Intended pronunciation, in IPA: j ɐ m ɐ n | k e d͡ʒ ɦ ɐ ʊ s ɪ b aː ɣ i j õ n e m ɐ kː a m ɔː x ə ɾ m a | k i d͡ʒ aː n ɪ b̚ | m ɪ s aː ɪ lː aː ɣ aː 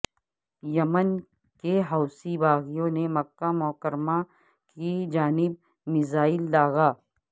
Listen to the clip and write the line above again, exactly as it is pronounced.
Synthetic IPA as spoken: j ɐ m ə n | k e ɦ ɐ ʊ s i b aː ɣ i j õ n e m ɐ kː a m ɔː k ə ɾ m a | k i d͡ʒ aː n ɪ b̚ | m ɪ z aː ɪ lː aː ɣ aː